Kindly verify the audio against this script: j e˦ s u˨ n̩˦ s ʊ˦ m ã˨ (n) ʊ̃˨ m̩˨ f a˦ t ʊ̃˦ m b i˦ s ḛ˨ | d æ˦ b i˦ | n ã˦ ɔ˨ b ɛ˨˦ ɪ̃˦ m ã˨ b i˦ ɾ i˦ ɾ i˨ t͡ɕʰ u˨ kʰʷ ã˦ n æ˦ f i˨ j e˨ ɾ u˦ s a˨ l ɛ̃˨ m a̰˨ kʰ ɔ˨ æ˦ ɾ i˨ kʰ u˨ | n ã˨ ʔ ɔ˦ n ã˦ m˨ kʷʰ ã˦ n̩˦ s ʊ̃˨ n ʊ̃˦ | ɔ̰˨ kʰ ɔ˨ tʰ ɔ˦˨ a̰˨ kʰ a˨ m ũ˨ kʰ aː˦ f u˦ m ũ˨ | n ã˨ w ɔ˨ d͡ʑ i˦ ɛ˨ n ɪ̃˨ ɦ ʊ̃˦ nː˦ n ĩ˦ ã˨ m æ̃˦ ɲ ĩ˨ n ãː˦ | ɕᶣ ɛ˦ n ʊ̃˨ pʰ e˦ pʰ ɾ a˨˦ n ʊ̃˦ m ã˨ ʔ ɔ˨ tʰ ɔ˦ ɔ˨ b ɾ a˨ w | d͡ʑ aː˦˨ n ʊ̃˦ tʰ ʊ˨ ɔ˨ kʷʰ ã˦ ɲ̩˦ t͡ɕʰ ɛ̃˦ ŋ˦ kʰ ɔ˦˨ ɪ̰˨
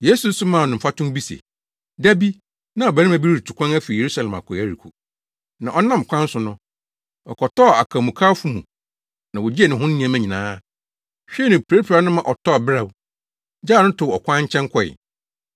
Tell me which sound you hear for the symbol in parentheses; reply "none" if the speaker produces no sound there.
n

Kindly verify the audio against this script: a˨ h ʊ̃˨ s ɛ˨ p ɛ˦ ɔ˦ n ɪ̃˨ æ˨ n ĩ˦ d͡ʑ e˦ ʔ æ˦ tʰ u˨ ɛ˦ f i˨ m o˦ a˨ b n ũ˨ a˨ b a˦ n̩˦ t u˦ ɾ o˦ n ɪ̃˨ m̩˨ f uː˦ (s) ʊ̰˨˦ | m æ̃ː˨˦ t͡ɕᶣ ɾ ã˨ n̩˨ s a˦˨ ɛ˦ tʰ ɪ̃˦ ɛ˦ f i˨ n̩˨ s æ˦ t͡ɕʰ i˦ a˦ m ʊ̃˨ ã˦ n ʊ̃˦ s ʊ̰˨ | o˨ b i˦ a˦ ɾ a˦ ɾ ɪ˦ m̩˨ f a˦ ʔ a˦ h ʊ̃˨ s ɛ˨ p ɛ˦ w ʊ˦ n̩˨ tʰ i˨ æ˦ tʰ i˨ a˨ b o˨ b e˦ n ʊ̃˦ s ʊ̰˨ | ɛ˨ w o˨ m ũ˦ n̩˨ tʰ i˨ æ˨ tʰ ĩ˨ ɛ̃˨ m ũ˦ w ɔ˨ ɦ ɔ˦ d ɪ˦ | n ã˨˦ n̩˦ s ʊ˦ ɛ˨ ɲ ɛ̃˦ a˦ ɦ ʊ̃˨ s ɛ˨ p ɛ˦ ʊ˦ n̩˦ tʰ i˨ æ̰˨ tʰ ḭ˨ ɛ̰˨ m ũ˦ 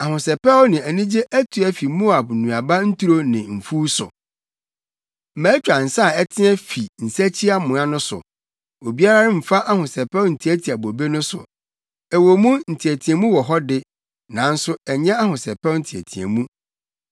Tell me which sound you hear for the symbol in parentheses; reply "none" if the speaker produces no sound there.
s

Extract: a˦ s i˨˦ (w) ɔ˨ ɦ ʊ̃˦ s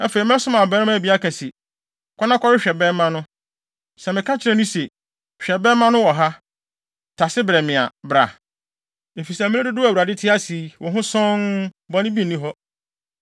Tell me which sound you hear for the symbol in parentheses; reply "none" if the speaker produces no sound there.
w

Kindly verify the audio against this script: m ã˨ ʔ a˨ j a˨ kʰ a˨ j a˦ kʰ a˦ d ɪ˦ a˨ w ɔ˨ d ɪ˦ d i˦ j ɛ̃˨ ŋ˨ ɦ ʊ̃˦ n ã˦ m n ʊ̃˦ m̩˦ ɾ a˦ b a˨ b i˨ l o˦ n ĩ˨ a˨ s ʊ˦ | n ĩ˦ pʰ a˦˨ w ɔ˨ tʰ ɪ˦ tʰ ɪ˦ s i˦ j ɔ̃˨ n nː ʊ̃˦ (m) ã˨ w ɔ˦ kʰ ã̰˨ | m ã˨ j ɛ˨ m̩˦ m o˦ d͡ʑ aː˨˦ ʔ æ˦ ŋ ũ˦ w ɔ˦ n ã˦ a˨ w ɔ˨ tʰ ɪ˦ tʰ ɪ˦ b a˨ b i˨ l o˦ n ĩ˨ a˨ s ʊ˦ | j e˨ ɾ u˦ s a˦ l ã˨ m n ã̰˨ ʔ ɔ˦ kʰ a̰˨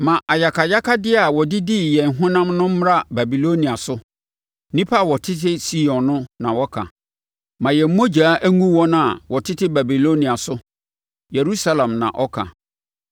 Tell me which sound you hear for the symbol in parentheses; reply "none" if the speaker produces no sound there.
n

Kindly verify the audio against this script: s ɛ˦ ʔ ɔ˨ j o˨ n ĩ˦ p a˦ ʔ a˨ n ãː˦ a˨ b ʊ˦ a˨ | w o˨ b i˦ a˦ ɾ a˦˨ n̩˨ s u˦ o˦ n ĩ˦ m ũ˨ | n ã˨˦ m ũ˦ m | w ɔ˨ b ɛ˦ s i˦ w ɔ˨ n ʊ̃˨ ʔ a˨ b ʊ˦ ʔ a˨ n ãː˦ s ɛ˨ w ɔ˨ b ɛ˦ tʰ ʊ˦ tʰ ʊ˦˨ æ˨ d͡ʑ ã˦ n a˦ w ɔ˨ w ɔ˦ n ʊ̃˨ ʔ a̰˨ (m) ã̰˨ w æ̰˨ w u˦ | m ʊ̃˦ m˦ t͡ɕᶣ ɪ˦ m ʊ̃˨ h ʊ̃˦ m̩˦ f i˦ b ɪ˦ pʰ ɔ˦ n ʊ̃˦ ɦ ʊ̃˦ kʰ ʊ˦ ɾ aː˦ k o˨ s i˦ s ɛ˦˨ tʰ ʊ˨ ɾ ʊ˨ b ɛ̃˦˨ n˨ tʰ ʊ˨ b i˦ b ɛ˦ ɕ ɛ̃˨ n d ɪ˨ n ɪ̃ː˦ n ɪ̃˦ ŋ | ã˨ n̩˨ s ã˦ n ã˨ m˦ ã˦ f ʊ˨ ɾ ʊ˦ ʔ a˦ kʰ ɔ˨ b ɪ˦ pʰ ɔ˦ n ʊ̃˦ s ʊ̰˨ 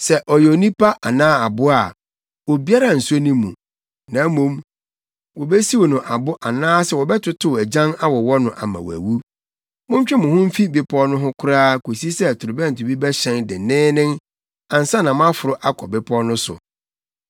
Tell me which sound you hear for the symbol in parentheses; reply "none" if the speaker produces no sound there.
m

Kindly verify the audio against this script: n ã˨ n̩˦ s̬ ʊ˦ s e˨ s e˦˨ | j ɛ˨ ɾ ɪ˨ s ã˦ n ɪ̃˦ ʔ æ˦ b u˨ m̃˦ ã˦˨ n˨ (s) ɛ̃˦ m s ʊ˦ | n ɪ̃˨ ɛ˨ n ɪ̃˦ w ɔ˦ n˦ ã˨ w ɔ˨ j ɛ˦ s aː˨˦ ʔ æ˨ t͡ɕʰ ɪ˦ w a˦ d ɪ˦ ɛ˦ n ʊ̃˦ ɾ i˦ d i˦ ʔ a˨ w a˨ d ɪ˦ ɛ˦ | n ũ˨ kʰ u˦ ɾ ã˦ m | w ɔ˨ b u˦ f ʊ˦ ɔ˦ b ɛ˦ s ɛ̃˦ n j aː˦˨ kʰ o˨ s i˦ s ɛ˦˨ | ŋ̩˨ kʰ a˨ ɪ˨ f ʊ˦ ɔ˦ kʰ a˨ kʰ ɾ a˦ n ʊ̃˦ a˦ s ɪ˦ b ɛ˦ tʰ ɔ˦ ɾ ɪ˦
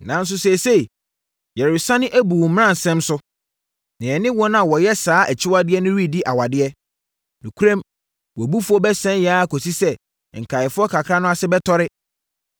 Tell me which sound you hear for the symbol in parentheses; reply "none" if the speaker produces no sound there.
s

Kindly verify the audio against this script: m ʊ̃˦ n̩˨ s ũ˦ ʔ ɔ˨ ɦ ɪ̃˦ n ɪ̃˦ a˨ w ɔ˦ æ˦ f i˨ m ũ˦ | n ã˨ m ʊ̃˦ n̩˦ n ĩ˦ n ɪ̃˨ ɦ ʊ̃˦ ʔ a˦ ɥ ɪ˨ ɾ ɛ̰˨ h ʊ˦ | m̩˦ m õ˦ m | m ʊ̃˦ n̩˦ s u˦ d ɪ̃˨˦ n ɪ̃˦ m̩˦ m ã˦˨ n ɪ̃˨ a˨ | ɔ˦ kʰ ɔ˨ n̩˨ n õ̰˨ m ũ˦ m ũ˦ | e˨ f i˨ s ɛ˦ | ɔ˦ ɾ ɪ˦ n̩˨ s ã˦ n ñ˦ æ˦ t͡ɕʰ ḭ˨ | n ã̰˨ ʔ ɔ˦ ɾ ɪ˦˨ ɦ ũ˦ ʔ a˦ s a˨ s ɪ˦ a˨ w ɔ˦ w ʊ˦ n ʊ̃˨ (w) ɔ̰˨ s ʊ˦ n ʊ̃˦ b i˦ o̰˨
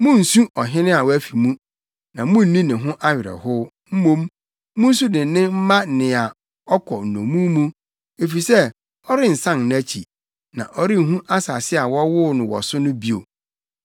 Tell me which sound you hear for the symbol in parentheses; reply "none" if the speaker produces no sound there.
w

